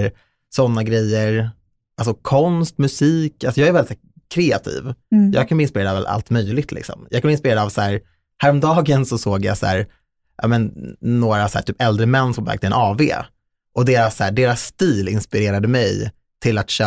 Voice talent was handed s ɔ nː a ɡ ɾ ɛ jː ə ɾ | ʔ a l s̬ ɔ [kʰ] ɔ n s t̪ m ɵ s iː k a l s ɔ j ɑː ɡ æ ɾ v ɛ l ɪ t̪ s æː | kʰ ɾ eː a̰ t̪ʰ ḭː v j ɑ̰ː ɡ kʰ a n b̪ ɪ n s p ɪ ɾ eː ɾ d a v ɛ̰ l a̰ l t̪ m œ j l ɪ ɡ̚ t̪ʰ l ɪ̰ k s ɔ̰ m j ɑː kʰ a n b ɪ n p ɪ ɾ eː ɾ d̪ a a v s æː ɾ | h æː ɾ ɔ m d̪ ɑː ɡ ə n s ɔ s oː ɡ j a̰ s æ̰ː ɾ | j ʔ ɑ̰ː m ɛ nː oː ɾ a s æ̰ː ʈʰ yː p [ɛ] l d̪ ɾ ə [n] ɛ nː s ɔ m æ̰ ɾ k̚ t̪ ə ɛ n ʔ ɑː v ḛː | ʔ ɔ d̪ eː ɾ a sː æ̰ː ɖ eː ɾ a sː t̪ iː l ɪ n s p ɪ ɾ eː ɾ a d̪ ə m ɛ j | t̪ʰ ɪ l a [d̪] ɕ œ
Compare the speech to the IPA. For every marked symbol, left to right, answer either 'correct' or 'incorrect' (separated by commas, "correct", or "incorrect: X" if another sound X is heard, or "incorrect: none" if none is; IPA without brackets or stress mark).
correct, correct, incorrect: m, incorrect: t̪